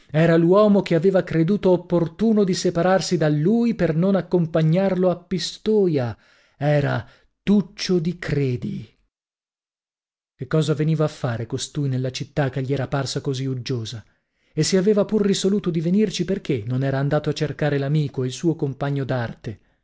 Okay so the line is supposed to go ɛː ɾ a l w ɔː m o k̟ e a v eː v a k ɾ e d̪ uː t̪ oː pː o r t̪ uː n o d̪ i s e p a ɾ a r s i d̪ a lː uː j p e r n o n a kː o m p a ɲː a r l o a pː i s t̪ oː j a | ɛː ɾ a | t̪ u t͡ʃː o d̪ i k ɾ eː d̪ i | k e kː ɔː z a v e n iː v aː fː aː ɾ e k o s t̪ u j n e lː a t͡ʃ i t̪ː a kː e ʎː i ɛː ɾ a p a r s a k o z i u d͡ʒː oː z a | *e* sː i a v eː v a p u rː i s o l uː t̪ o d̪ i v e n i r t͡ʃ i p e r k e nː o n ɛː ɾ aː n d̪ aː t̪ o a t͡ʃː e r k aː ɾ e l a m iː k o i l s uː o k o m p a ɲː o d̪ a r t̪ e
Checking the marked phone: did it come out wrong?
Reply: no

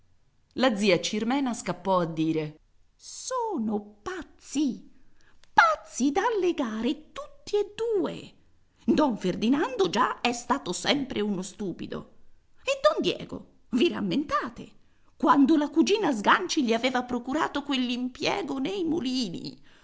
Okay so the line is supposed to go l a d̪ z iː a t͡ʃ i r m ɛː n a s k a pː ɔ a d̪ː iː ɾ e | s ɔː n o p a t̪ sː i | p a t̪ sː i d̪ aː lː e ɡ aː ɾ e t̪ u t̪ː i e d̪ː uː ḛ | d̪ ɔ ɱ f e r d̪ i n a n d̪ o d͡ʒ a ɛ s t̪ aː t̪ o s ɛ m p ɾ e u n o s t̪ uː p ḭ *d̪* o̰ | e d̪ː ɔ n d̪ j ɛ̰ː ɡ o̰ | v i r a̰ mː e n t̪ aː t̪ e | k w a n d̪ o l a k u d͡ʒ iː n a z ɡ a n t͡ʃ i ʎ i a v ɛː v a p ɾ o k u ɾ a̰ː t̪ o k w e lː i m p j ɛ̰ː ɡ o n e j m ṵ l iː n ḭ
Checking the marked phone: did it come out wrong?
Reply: no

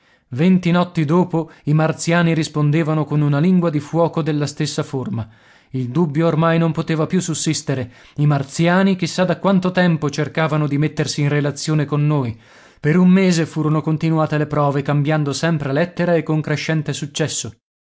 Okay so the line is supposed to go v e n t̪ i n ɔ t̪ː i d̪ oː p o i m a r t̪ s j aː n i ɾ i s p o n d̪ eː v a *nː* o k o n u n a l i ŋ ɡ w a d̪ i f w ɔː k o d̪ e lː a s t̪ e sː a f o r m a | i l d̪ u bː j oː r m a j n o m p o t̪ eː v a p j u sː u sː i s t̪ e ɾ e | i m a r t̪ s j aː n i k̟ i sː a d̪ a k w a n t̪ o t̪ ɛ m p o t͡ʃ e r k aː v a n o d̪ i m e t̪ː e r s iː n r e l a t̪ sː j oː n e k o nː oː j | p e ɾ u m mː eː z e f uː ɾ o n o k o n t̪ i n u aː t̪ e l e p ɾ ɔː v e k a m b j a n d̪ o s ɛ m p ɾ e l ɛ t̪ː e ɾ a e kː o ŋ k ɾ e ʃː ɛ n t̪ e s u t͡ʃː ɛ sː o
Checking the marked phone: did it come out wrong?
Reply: yes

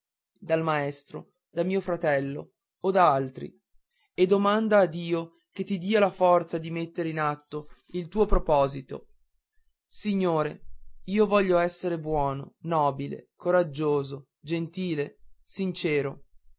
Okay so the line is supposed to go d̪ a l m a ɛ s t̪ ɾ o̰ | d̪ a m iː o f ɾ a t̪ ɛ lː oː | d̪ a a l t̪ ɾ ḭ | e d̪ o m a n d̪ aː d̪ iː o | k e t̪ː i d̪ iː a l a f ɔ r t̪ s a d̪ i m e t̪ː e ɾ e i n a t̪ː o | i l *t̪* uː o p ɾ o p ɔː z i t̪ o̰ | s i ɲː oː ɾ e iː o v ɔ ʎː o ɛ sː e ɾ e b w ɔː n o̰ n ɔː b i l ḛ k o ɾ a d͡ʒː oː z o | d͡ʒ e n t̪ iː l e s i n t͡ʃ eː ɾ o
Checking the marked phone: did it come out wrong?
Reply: no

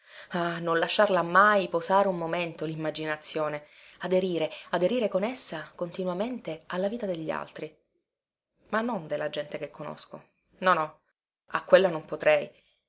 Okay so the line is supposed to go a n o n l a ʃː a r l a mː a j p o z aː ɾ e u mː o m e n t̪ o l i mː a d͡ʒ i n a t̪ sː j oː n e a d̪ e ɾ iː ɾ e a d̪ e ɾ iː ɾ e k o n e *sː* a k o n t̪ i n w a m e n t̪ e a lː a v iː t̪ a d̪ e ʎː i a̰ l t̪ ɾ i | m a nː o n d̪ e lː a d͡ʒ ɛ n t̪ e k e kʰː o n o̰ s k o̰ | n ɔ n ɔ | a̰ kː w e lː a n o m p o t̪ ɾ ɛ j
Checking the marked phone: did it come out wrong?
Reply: no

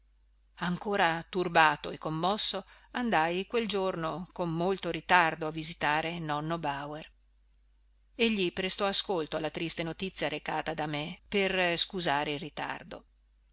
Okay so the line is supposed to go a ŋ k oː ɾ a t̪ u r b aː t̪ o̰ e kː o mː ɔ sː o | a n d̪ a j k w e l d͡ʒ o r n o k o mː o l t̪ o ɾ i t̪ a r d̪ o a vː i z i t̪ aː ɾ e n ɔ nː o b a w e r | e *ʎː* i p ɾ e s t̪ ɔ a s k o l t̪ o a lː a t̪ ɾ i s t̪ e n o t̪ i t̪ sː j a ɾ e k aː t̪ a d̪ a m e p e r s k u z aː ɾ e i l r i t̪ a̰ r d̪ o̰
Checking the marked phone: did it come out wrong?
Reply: no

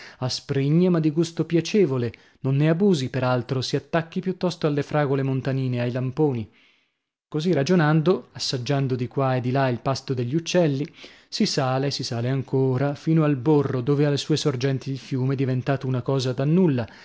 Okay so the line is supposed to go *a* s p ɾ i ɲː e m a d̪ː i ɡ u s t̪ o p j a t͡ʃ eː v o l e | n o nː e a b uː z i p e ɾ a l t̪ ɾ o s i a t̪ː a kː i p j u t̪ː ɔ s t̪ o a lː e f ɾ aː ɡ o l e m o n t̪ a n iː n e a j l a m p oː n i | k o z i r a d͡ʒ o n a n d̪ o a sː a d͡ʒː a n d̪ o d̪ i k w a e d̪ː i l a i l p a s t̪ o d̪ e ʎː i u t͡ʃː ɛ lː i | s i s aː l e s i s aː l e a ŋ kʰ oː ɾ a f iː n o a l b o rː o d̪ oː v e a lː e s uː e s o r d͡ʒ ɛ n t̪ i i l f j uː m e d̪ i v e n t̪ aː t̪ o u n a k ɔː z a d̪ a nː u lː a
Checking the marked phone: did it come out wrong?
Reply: no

